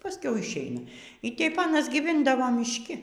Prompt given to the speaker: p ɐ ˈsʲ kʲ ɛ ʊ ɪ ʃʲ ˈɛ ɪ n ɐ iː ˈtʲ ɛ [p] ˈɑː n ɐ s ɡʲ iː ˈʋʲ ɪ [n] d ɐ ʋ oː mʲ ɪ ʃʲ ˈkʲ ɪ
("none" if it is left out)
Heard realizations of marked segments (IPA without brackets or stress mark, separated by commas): p, n